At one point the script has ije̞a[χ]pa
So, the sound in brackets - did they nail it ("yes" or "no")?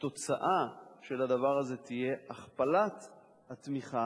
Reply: yes